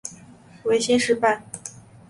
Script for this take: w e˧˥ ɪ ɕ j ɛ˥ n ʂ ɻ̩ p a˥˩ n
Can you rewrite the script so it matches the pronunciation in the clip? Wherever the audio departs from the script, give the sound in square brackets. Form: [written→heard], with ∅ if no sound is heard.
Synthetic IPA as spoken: w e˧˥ ɪ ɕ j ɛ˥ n ʂ ɻ̩ p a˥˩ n